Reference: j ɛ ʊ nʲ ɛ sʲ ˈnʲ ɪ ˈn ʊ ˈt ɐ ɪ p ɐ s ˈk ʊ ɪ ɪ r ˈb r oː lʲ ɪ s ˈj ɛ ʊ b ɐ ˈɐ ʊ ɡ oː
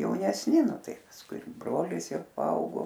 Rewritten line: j ɛ ʊ nʲ ɛ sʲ ˈnʲ ɪ ˈn ʊ ˈt ɐ ɪ p ɐ s ˈk ʊ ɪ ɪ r ˈb r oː lʲ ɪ s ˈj ɛ ʊ p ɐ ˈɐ ʊ ɡ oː